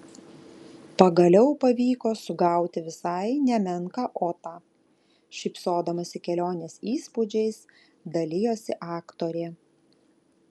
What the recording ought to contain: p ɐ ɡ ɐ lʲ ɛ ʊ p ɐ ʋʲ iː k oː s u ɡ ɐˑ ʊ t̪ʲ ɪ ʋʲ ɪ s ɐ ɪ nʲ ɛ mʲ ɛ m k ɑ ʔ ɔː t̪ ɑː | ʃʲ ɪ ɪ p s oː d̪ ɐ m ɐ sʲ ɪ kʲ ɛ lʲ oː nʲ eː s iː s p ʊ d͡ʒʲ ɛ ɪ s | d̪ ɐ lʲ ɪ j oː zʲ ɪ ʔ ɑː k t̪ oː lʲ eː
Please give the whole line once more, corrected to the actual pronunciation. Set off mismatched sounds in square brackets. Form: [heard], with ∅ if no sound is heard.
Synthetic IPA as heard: p ɐ ɡ ɐ lʲ ɛ ʊ p ɐ ʋʲ iː k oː s [ʊ] ɡ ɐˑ ʊ t̪ʲ ɪ ʋʲ ɪ s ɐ ɪ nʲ ɛ mʲ ɛ [ŋ] k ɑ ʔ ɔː t̪ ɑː | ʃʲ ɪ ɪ p s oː d̪ ɐ m ɐ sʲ ɪ kʲ ɛ lʲ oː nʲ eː s iː s p ʊ d͡ʒʲ ɛ ɪ s | d̪ ɐ lʲ ɪ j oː [sʲ] ɪ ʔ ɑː k t̪ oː [ɾʲ] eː